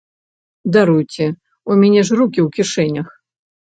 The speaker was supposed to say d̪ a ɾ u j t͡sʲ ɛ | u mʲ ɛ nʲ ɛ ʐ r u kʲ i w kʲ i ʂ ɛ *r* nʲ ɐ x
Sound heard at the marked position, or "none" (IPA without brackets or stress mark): none